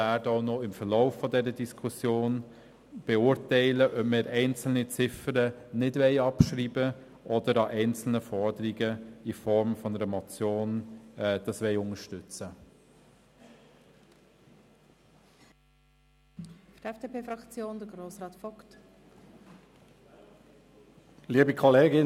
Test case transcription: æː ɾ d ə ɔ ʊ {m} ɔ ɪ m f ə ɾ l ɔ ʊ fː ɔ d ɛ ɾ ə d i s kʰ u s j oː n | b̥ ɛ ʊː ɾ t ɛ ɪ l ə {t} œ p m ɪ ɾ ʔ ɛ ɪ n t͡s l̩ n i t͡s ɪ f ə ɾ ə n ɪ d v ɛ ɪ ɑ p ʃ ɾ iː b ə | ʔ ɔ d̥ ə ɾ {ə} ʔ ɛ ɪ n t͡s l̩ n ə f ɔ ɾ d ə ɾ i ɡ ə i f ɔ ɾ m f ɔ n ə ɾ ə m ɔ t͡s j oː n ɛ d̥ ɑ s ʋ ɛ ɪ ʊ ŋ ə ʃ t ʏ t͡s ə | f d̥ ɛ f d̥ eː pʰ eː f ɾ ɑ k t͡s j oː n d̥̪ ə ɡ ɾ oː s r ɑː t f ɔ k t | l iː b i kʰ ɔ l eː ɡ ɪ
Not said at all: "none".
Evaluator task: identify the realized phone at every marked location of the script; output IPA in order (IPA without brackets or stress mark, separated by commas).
n, ʔ, ɑ